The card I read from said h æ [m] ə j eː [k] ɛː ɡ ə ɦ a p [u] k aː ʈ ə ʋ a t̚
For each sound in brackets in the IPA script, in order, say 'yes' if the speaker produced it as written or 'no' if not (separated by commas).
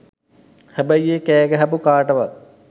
no, yes, yes